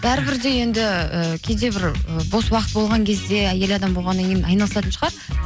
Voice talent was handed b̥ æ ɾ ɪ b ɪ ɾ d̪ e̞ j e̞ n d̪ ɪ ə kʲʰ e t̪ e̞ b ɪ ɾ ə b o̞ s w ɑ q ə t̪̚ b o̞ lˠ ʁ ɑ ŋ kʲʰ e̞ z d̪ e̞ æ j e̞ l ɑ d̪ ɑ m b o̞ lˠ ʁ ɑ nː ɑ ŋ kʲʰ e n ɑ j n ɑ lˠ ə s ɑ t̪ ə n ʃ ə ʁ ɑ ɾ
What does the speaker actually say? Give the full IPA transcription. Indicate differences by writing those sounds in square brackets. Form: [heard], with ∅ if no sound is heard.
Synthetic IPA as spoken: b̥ æ ɾ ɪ b ɪ ɾ d̪ e̞ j e̞ n d̪ ɪ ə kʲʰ e [d̪] e̞ b ɪ ɾ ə b o̞ s w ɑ q ə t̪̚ b o̞ lˠ ʁ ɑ ŋ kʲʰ e̞ z d̪ e̞ æ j e̞ l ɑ d̪ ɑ m b o̞ lˠ ʁ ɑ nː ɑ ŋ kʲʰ e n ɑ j n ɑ lˠ ə s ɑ t̪ ə n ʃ ə ʁ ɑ ɾ